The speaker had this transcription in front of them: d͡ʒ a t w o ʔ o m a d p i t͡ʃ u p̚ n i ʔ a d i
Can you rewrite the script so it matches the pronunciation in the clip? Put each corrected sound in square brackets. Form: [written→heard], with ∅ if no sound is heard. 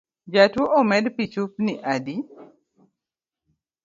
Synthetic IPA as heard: d͡ʒ a t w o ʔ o m [a→ɛ] d p i t͡ʃ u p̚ n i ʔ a d i